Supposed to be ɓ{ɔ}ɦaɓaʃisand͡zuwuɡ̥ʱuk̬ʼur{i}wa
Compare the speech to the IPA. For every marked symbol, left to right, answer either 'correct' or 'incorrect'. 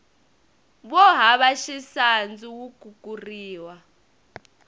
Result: correct, incorrect: iː

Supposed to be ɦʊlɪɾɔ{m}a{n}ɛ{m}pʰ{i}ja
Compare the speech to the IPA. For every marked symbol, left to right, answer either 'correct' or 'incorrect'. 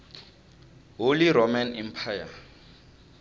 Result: correct, correct, correct, incorrect: a

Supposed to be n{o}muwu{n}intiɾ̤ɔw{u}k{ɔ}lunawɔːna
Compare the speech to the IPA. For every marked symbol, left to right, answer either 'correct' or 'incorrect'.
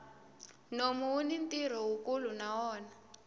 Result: correct, correct, correct, incorrect: u

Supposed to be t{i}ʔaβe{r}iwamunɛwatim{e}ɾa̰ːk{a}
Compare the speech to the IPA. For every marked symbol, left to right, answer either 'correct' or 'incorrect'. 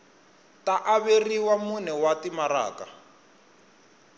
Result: incorrect: a, correct, incorrect: a, correct

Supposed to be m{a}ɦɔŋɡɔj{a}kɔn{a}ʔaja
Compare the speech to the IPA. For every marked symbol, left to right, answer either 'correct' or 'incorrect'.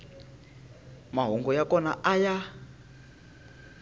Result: correct, correct, correct

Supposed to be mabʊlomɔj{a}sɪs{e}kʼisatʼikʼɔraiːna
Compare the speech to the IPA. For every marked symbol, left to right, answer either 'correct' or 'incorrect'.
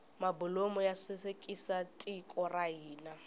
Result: correct, correct

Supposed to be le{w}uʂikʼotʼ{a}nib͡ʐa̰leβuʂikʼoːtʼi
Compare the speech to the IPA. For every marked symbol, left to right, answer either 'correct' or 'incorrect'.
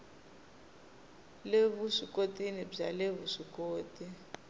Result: incorrect: β, incorrect: i

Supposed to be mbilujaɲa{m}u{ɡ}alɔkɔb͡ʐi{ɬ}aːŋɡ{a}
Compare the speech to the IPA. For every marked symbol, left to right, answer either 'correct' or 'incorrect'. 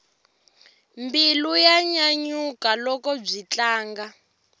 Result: incorrect: ɲ, incorrect: k, incorrect: t͡ɬ, correct

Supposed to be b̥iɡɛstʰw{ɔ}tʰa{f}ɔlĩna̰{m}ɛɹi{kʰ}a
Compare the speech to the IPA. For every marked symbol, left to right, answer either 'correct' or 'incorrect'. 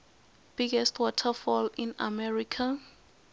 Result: correct, correct, correct, correct

